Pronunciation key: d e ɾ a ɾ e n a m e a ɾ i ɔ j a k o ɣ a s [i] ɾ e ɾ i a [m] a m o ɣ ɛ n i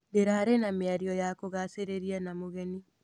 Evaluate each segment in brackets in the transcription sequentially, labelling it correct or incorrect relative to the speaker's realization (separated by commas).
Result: incorrect, incorrect